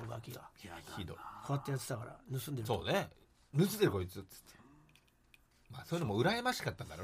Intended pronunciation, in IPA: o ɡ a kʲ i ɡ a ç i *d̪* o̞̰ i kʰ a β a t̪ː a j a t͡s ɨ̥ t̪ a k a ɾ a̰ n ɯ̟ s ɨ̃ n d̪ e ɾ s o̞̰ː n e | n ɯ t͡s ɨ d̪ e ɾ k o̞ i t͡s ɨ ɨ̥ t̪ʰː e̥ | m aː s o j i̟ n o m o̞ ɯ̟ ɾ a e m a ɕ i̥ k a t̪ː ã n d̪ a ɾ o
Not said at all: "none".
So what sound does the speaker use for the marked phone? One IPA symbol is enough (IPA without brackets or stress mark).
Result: d̪